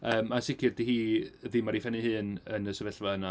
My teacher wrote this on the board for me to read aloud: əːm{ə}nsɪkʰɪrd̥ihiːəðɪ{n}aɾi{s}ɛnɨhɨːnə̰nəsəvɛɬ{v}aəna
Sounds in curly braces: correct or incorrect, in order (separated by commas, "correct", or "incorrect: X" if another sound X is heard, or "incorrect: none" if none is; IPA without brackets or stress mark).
incorrect: a, incorrect: m, incorrect: f, correct